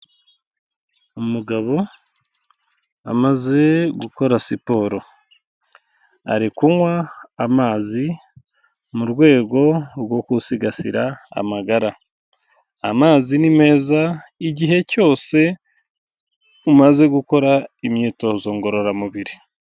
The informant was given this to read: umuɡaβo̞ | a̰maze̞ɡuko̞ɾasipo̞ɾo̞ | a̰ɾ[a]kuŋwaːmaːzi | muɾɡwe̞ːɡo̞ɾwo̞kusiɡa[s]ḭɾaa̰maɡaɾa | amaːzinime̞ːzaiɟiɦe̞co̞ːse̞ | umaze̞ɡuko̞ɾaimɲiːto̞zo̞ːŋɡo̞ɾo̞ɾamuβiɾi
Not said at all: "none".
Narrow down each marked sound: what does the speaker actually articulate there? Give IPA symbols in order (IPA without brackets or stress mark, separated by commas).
i, s